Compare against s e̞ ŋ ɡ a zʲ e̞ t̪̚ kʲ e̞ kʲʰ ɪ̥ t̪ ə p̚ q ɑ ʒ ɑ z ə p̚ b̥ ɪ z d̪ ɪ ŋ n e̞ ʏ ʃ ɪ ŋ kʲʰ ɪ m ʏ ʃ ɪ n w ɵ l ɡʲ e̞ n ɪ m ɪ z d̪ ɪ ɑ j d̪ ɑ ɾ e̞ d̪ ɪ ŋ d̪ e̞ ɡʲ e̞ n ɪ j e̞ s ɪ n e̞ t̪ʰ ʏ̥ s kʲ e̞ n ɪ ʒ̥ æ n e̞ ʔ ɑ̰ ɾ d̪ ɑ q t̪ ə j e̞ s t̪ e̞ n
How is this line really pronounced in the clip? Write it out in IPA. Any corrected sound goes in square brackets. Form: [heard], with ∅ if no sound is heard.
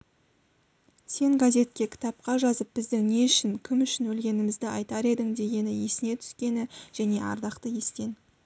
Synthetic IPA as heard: s e̞ ŋ ɡ a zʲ e̞ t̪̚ kʲ e̞ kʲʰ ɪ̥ t̪ [ɑ] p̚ q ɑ ʒ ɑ z ə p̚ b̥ ɪ z d̪ ɪ ŋ n e̞ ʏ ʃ ɪ ŋ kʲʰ ɪ m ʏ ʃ ɪ n w ɵ l ɡʲ e̞ n ɪ m ɪ z d̪ ɪ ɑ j [t̪] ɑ ɾ e̞ d̪ ɪ ŋ d̪ e̞ ɡʲ e̞ n ɪ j e̞ s ɪ n e̞ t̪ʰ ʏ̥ s kʲ e̞ n ɪ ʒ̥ æ n e̞ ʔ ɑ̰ ɾ d̪ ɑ q t̪ ə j e̞ s t̪ e̞ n

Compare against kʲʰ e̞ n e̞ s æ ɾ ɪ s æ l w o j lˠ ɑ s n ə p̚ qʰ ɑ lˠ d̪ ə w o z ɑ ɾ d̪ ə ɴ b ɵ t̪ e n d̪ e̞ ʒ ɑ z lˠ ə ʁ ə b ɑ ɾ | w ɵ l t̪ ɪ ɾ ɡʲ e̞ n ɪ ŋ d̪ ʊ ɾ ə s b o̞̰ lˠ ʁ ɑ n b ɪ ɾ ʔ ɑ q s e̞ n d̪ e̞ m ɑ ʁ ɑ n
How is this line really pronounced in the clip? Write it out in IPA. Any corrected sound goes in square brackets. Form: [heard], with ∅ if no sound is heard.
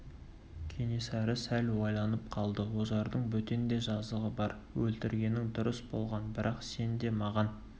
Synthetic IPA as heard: kʲʰ e̞ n e̞ s æ ɾ ɪ s æ l w o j lˠ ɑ [∅] n ə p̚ qʰ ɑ lˠ d̪ ə w o z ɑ ɾ d̪ ə ɴ b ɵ t̪ e n d̪ e̞ ʒ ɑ z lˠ ə ʁ ə b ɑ ɾ | w ɵ l t̪ ɪ ɾ ɡʲ e̞ n ɪ ŋ d̪ ʊ ɾ ə s b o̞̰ lˠ ʁ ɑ n b ɪ ɾ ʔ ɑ q s e̞ n d̪ e̞ m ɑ ʁ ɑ n

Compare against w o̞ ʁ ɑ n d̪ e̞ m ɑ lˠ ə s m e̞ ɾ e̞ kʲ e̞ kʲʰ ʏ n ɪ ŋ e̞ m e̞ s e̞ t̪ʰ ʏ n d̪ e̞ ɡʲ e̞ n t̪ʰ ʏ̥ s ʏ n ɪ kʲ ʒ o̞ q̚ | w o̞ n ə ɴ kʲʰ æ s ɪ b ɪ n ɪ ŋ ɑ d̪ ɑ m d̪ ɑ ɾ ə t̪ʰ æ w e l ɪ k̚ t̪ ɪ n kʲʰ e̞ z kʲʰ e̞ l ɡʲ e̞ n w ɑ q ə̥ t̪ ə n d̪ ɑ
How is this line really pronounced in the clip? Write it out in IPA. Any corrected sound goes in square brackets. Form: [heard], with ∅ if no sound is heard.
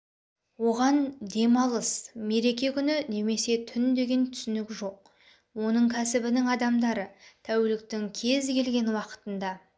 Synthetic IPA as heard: w o̞ ʁ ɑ n d̪ e̞ m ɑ lˠ ə s m e̞ ɾ e̞ kʲ e̞ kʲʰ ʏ n ɪ [n] e̞ m e̞ s e̞ t̪ʰ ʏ n d̪ e̞ ɡʲ e̞ n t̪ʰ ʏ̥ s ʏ n ɪ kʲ ʒ o̞ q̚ | w o̞ n ə ɴ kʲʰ æ s ɪ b ɪ n ɪ ŋ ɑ d̪ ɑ m d̪ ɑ ɾ ə t̪ʰ æ w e l ɪ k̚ t̪ ɪ [ŋ] kʲʰ e̞ z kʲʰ e̞ l ɡʲ e̞ n w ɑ q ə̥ t̪ ə n d̪ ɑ

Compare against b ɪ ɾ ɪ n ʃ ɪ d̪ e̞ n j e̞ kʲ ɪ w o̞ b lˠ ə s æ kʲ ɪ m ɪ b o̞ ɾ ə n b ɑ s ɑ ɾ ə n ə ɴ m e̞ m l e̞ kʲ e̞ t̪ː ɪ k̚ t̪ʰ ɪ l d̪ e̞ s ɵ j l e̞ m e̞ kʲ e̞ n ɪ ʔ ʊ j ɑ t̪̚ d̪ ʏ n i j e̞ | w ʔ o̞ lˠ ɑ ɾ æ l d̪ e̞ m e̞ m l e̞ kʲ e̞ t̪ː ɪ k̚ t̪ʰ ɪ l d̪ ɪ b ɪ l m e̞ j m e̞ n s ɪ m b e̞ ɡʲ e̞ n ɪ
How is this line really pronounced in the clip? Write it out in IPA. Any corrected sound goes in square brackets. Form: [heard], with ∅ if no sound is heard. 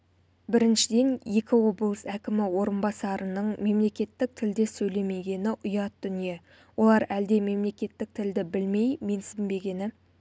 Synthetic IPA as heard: b ɪ ɾ ɪ n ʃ ɪ d̪ e̞ n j e̞ kʲ ɪ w o̞ b lˠ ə s æ kʲ ɪ m ɪ [w] o̞ ɾ ə n b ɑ s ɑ ɾ ə n ə ɴ m e̞ m l e̞ kʲ e̞ t̪ː ɪ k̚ t̪ʰ ɪ l d̪ e̞ s ɵ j l e̞ m e̞ [ɡʲ] e̞ n ɪ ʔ ʊ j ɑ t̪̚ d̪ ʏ n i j e̞ | w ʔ o̞ lˠ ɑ ɾ æ l d̪ e̞ m e̞ m l e̞ kʲ e̞ t̪ː ɪ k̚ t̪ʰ ɪ l d̪ ɪ b ɪ l m e̞ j m e̞ n s ɪ m b e̞ ɡʲ e̞ n ɪ

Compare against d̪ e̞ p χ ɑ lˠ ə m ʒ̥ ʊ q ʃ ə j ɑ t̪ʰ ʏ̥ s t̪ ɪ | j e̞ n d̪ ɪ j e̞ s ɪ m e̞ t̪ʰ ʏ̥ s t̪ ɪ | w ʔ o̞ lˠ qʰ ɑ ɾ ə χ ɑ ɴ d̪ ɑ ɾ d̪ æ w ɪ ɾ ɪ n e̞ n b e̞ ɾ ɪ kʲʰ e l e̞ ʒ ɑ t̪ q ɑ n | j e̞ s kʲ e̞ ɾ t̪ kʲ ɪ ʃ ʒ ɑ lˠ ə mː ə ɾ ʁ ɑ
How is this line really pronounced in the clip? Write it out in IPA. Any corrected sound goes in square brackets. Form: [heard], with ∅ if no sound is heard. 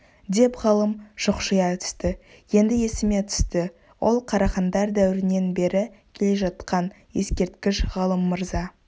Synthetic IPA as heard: d̪ e̞ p [ʁ] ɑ lˠ ə m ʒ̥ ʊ q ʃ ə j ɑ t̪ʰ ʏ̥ s t̪ ɪ | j e̞ n d̪ ɪ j e̞ s ɪ m e̞ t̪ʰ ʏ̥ s t̪ ɪ | w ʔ o̞ lˠ qʰ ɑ ɾ [ɑ] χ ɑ [n] d̪ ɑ ɾ d̪ æ w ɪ ɾ ɪ n e̞ n b e̞ ɾ ɪ kʲʰ e l e̞ ʒ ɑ t̪ q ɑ n | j e̞ s kʲ e̞ ɾ t̪ kʲ ɪ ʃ [ʁ] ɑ lˠ ə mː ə ɾ [z] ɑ

